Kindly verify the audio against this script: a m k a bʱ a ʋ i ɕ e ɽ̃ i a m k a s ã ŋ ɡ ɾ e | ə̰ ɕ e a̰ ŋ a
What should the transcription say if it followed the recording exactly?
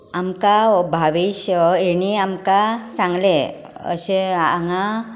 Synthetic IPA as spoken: a m k a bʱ a ʋ i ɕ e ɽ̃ i a m k a s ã ŋ ɡ l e | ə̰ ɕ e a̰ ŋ a